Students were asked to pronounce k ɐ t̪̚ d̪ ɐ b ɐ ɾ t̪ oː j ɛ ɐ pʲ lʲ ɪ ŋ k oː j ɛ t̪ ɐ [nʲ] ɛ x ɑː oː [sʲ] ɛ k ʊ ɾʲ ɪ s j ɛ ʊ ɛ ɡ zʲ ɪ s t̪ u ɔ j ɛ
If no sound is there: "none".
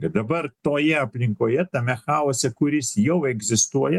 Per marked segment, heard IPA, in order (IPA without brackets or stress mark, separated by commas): mʲ, sʲ